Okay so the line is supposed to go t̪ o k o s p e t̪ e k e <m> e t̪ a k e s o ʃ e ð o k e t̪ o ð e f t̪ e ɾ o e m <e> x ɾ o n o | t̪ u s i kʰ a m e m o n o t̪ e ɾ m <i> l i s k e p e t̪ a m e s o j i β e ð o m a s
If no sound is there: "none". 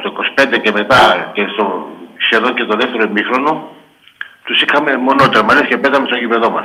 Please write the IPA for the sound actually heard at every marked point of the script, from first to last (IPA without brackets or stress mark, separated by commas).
m, i, a